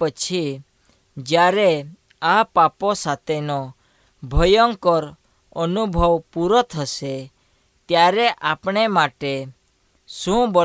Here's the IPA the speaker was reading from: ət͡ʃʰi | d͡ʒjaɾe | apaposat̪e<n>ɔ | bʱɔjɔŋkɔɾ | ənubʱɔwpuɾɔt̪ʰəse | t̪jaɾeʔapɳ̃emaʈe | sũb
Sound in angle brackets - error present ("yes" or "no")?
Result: no